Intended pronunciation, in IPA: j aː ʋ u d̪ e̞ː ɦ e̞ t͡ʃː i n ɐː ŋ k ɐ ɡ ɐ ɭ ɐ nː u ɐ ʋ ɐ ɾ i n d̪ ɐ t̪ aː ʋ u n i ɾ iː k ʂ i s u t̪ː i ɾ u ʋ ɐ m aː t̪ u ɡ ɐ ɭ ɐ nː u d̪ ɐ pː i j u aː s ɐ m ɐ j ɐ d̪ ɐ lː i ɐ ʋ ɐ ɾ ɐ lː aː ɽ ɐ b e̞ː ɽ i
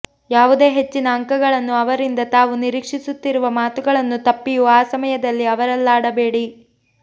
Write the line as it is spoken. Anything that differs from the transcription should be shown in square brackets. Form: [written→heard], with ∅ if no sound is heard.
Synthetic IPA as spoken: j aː ʋ u d̪ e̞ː ɦ e̞ t͡ʃː i n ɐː ŋ k ɐ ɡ ɐ ɭ ɐ nː u ɐ ʋ ɐ ɾ i n d̪ ɐ t̪ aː ʋ u n i ɾ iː k ʂ i s u t̪ː i ɾ u ʋ ɐ m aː t̪ u ɡ ɐ ɭ ɐ nː u [d̪→t̪] ɐ pː i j u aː s ɐ m ɐ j ɐ d̪ ɐ lː i ɐ ʋ ɐ ɾ ɐ lː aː ɽ ɐ b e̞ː ɽ i